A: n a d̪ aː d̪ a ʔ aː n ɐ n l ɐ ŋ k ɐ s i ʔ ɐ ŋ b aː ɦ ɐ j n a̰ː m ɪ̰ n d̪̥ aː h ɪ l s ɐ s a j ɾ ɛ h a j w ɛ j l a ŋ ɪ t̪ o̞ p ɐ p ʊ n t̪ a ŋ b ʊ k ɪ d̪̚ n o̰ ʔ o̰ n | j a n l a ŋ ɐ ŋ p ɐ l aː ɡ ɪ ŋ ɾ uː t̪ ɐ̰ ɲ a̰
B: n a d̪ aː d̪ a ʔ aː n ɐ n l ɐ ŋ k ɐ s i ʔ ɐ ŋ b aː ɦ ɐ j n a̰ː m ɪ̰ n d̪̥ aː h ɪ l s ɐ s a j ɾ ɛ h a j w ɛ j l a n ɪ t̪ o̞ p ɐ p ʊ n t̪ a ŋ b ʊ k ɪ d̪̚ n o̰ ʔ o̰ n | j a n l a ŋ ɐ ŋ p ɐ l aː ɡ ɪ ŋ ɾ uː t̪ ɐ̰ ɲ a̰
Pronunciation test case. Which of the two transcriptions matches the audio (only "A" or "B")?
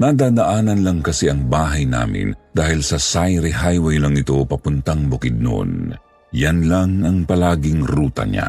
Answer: A